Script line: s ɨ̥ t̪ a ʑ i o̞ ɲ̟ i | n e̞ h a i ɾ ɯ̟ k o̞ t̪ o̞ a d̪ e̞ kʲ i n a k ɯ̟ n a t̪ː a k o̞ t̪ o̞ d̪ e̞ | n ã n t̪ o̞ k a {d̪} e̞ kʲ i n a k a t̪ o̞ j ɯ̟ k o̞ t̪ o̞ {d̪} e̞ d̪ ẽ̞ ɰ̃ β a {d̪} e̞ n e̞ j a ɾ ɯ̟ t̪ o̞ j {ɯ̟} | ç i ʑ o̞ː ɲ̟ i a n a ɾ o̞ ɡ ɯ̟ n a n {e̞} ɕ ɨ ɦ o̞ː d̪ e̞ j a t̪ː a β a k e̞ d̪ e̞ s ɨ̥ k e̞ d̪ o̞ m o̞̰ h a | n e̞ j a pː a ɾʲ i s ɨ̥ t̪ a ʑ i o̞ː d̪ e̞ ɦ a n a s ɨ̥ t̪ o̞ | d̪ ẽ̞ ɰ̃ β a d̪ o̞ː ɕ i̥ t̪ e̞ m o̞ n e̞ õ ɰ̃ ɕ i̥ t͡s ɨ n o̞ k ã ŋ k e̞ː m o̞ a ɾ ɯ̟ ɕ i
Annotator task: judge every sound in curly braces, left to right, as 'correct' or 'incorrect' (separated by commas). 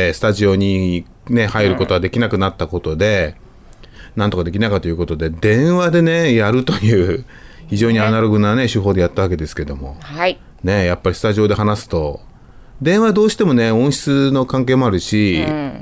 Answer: correct, correct, correct, incorrect, correct